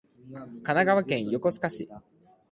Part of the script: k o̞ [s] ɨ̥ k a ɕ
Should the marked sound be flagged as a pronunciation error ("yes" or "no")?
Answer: yes